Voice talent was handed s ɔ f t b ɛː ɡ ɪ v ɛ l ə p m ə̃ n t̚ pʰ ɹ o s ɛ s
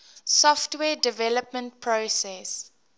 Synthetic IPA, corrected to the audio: s ɔ f t w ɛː d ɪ v ɛ l ə p m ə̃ n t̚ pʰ ɹ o s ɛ s